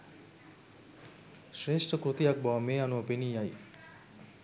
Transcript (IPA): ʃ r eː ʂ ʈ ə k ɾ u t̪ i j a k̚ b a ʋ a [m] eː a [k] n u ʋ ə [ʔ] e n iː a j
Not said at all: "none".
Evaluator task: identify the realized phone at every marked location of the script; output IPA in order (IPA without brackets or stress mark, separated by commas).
m, none, p